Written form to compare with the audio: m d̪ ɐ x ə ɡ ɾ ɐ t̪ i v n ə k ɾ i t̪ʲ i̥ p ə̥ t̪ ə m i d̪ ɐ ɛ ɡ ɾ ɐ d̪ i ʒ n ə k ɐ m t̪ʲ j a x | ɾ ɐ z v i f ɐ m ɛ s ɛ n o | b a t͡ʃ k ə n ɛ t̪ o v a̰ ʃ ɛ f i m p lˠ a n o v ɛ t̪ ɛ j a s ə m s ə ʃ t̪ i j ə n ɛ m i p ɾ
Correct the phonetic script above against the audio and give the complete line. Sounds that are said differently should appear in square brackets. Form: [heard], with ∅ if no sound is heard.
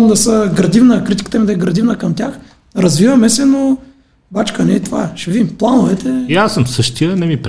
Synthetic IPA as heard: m d̪ ɐ [s] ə ɡ ɾ ɐ [d̪] i v n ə k ɾ i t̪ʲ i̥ [k] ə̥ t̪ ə m i d̪ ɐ ɛ ɡ ɾ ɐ d̪ i [v] n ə k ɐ m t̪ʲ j a x | ɾ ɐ z v i [v] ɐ m ɛ s ɛ n o | b a t͡ʃ k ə n ɛ t̪ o v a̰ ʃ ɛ [v] i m p lˠ a n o v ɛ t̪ ɛ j a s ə m s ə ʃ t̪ i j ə n ɛ m i p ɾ